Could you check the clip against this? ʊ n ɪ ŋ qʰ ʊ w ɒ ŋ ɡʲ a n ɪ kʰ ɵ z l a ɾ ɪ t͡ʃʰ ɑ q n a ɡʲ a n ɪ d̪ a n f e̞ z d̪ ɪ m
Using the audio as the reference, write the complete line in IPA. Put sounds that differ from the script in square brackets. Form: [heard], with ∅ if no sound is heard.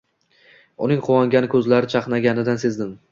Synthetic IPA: ʊ n ɪ ŋ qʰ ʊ w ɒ ŋ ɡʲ a n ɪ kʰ ɵ z l a ɾ ɪ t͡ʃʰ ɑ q n a ɡʲ a n ɪ d̪ a n [s] e̞ z d̪ ɪ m